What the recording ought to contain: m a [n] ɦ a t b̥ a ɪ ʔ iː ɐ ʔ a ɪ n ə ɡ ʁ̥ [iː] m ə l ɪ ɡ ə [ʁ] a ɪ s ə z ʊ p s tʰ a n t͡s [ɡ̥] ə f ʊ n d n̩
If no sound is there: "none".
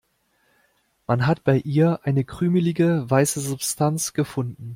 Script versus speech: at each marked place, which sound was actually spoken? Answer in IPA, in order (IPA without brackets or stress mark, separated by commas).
n, yː, v, ɡ̥